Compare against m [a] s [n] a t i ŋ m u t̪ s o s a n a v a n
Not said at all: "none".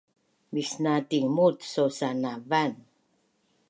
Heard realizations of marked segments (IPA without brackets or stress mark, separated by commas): i, n